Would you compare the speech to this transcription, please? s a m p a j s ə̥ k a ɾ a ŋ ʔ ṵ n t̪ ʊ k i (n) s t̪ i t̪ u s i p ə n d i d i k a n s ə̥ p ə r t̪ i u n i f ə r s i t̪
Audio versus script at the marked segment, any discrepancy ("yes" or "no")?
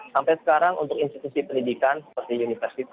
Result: no